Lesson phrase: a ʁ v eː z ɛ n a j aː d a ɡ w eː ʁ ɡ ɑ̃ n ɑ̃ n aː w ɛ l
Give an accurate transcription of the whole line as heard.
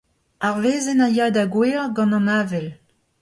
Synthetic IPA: a ʁ v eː z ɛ n a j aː d a ɡ w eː ʁ ɡ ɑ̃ n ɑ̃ n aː v ɛ l